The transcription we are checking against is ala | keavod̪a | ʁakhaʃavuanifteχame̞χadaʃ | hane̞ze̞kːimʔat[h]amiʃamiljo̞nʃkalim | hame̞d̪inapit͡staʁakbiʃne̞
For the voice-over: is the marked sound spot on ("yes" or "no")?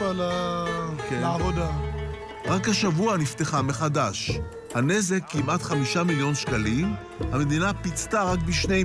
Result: no